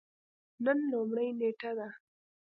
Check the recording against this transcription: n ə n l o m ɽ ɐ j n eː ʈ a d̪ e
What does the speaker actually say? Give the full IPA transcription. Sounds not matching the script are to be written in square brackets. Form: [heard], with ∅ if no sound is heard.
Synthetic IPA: n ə n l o m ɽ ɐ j n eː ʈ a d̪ [a]